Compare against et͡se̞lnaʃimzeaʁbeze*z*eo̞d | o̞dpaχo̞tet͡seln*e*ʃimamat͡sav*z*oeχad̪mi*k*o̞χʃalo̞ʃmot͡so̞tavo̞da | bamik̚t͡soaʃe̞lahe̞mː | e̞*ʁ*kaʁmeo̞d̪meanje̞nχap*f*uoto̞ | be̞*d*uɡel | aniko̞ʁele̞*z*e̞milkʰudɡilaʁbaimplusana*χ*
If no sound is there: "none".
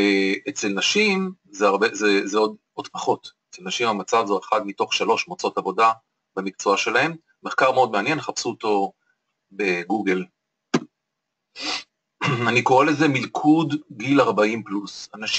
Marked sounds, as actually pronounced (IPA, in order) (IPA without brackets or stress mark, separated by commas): z, a, z, t, χ, s, ɡ, z, ʃ